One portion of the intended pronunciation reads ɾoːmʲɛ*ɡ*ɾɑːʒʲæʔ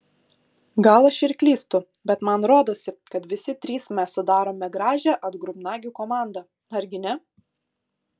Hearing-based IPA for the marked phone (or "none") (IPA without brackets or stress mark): ɡ